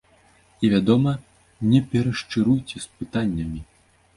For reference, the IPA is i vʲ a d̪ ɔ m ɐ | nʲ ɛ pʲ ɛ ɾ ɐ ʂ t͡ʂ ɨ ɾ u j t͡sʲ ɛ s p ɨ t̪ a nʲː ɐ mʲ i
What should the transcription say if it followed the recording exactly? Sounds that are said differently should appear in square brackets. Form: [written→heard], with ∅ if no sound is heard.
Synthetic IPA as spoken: i vʲ a d̪ ɔ m ɐ | nʲ ɛ pʲ ɛ ɾ ɐ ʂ t͡ʂ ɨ ɾ u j t͡sʲ ɛ s p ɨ t̪ a nʲː ɐ mʲ i